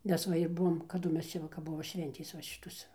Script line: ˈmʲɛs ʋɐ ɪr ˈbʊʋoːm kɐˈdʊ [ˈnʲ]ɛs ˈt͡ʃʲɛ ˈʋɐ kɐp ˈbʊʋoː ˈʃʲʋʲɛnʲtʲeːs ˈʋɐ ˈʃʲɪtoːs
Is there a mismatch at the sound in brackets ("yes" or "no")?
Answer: yes